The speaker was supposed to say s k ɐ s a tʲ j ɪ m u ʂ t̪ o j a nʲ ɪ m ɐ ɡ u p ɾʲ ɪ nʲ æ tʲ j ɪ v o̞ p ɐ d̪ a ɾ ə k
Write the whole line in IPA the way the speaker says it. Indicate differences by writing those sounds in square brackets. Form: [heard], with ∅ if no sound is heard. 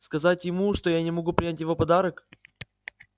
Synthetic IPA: s k ɐ [z] a tʲ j ɪ m u ʂ t̪ o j a nʲ ɪ m ɐ ɡ u p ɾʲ ɪ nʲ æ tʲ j ɪ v o̞ p ɐ d̪ a ɾ ə k